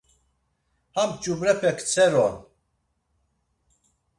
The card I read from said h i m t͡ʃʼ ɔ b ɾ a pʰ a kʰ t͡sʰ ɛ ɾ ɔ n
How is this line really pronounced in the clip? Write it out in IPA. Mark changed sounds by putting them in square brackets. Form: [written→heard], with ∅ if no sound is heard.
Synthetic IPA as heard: h [i→a] m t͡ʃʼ [ɔ→u] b ɾ [a→ɛ] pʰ [a→ɛ] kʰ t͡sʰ ɛ ɾ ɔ n